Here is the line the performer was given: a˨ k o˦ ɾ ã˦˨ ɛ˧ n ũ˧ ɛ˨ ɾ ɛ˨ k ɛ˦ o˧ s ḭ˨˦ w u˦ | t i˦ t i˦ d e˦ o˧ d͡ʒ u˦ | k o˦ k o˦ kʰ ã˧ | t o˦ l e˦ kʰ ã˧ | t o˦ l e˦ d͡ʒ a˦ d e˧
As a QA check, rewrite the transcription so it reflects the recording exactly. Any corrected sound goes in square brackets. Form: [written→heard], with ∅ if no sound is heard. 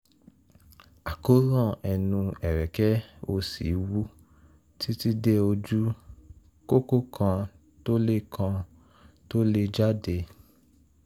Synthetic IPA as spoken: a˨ k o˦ ɾ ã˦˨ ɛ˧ n ũ˧ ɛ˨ ɾ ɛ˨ k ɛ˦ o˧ s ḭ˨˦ w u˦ | t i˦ t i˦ d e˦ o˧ d͡ʒ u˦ | k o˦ k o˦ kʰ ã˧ | t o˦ l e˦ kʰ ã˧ | t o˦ l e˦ d͡ʒ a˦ d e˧